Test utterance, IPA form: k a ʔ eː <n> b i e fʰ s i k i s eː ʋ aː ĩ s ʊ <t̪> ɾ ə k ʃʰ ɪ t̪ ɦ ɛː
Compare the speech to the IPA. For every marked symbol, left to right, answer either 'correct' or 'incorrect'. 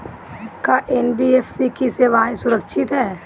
correct, incorrect: none

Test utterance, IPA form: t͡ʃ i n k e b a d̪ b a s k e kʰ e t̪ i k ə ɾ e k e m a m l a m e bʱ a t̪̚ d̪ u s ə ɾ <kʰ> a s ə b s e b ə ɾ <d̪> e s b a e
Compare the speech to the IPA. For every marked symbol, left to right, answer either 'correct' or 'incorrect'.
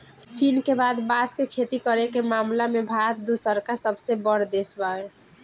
incorrect: k, correct

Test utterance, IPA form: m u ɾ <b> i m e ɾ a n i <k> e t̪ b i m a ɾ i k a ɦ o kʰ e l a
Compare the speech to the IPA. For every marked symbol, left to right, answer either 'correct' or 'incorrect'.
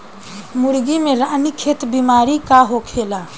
incorrect: ɡ, incorrect: kʰ

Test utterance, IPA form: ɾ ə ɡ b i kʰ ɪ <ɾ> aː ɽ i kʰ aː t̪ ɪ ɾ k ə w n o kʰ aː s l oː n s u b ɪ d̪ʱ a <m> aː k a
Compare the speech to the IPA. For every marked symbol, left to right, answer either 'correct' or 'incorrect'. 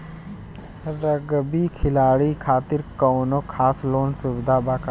incorrect: l, incorrect: b

